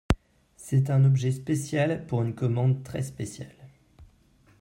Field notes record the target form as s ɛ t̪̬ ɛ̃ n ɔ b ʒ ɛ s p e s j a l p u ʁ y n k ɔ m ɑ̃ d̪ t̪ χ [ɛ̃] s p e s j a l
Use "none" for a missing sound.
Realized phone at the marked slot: ɛ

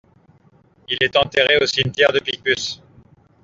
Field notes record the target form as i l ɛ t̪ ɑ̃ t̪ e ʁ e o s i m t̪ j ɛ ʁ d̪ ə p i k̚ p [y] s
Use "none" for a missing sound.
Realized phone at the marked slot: y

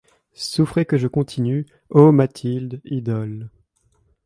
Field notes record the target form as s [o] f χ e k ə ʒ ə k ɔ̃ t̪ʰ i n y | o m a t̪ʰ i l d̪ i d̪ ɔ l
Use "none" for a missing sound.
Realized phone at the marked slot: u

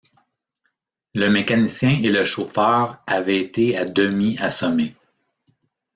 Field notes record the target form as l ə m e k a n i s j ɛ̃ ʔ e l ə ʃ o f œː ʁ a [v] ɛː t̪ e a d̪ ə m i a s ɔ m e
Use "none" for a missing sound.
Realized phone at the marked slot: v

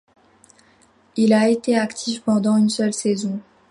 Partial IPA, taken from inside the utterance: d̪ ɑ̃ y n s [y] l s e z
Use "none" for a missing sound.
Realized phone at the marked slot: œ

